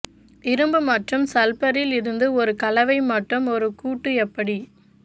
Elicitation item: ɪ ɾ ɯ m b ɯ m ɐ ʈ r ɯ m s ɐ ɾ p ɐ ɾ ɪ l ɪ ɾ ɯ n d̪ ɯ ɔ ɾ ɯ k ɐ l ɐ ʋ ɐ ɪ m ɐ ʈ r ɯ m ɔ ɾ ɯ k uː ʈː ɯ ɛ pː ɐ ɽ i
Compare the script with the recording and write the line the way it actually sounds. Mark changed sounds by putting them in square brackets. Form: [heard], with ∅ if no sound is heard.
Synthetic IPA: ɪ ɾ ɯ m b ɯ m ɐ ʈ r ɯ m s ɐ [l] p ɐ ɾ ɪ l ɪ ɾ ɯ n d̪ ɯ ɔ ɾ ɯ k ɐ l ɐ ʋ ɐ ɪ m ɐ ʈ r ɯ m ɔ ɾ ɯ k uː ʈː ɯ ɛ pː ɐ ɽ i